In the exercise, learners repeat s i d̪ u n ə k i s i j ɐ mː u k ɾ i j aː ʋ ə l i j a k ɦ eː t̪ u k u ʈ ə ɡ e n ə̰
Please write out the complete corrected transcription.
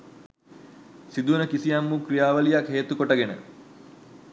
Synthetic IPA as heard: s i d̪ u n ə k i s i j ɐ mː u k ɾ i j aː ʋ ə l i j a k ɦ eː t̪ u k o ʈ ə ɡ e n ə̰